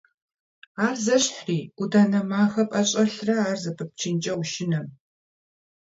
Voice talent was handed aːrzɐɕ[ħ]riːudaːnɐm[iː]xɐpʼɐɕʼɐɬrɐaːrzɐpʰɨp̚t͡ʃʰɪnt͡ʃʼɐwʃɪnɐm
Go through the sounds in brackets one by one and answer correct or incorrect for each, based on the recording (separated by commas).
correct, incorrect